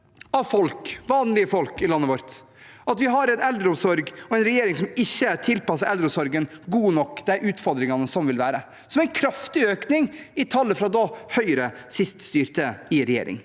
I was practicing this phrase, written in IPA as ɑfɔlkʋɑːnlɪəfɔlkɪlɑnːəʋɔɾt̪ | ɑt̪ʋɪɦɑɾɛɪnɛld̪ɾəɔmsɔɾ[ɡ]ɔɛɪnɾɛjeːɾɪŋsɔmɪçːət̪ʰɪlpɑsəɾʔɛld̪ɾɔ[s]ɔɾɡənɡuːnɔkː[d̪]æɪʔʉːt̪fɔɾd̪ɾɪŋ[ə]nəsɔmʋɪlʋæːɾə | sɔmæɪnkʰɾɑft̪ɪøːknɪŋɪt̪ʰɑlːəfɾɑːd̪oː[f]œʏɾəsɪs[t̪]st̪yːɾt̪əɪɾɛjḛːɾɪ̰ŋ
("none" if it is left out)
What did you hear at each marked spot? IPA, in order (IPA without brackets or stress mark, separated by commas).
ɡ, s, d̪, ɑ, h, t̪